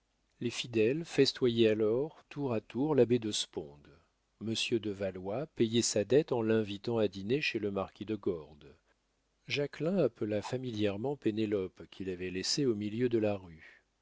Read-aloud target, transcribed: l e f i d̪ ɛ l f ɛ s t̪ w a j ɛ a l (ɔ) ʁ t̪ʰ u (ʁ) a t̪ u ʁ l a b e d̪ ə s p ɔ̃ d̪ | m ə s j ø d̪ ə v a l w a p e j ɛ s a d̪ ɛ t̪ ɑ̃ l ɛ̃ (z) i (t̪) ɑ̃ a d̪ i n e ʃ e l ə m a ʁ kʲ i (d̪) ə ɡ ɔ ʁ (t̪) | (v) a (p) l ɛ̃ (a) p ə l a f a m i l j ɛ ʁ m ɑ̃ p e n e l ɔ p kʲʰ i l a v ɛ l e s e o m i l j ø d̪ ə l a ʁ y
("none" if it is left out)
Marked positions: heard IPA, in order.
ɔ, ʁ, v, t̪, d̪, d̪, ʒ, k, a

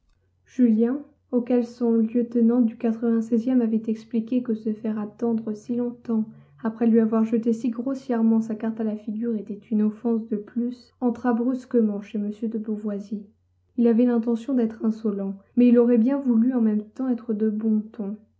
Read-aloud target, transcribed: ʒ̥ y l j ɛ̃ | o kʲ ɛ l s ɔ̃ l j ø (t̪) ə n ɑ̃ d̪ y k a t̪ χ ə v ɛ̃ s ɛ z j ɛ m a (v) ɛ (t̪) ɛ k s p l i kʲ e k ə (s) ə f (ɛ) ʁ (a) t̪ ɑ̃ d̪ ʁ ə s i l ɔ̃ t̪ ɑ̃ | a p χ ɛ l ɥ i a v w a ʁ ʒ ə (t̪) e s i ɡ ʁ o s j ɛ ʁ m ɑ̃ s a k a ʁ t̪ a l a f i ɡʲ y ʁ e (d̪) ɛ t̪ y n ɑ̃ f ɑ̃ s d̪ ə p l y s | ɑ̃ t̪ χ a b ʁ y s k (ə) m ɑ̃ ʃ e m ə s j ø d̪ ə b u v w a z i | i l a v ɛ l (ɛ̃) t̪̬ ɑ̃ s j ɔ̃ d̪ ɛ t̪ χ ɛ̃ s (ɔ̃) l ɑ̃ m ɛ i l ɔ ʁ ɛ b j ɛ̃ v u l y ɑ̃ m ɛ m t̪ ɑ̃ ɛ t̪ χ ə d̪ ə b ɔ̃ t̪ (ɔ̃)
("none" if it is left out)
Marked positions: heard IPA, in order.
t̪, v, t̪, s, ɛ, a, t̪, t̪, ə, ɛ̃, ɔ, ɔ̃

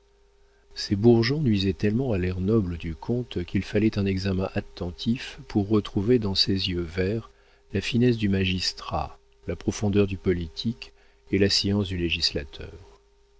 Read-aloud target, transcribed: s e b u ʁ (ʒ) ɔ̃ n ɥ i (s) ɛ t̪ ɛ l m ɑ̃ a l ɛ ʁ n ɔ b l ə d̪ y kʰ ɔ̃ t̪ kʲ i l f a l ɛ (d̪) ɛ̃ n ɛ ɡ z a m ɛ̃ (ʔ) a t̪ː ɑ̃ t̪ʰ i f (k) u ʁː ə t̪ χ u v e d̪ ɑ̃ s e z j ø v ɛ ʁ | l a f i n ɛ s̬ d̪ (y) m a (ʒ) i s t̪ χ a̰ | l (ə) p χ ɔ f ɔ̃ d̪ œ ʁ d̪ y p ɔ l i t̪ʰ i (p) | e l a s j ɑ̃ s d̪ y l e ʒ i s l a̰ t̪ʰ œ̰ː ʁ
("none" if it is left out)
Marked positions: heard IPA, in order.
ʒ, z, t̪, ʔ, p, y, ʒ, a, k

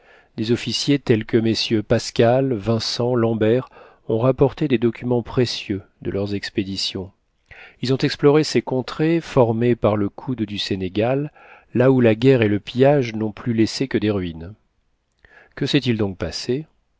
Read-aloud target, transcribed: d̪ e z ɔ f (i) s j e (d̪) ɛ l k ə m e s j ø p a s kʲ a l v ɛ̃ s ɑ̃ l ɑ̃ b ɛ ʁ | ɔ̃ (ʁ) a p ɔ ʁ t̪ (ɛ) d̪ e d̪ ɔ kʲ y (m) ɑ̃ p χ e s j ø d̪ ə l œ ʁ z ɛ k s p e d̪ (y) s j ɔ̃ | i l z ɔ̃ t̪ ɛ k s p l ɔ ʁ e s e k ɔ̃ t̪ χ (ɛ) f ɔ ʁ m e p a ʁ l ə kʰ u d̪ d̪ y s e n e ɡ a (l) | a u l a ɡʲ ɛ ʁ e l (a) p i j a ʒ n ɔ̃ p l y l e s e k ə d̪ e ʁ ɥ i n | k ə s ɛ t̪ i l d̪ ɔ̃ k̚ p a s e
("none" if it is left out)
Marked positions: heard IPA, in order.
i, t̪, ʁ, e, m, i, e, lː, ə

